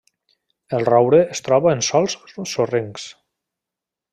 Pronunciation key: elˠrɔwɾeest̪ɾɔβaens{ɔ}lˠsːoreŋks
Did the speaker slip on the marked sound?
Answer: no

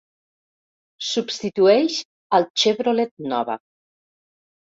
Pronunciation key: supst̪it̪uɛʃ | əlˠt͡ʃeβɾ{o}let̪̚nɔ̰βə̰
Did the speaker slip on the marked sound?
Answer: no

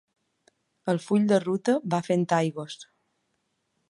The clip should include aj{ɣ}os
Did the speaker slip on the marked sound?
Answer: no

